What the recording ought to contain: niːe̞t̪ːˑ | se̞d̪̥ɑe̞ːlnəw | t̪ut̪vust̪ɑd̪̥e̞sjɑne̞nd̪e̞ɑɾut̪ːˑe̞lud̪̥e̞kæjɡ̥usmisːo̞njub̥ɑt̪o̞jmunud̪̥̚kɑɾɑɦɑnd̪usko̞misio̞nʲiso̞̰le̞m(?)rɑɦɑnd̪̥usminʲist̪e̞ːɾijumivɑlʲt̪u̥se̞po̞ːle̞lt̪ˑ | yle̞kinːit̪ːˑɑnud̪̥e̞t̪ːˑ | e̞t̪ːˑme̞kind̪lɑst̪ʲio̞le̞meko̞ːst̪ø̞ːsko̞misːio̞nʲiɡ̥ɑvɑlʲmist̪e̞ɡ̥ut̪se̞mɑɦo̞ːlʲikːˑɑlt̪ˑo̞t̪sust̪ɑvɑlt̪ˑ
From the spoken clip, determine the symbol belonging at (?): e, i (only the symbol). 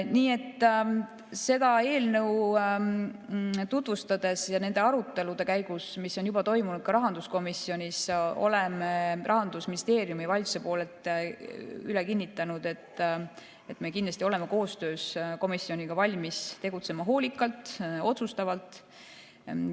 e